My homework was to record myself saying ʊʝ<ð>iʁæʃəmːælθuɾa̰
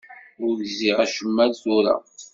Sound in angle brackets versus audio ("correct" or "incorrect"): incorrect